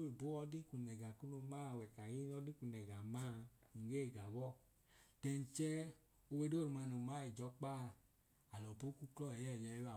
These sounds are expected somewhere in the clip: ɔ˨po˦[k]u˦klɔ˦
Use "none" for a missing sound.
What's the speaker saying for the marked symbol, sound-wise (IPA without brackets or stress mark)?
k